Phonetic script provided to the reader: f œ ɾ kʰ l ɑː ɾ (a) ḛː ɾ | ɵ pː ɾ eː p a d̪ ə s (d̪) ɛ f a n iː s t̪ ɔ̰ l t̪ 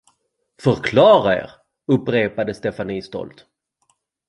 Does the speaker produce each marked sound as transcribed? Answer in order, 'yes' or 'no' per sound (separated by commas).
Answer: yes, no